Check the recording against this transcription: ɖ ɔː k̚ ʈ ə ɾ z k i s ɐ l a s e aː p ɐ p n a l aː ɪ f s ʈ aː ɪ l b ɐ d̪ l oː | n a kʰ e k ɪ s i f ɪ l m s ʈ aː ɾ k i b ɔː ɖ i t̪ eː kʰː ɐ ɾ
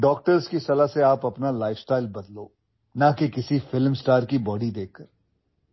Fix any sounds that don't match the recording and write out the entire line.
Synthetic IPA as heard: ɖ ɔː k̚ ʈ ə ɾ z k i s ɐ l a s e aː p ɐ p n a l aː ɪ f s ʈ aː ɪ l b ɐ d̪ l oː | n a k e k ɪ s i f ɪ l m s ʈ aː ɾ k i b ɔː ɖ i d̪ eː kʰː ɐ ɾ